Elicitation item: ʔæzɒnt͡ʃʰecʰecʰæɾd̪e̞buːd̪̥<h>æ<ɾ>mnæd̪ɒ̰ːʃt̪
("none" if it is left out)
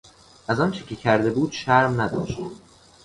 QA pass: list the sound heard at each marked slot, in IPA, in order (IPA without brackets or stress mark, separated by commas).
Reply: ʃ, ɾ